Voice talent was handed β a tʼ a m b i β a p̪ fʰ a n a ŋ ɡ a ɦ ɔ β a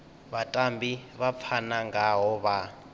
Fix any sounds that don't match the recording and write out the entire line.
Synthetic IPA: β a tʼ a m b i β a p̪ fʰ a n a ŋ ɡ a ɦ ɔ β a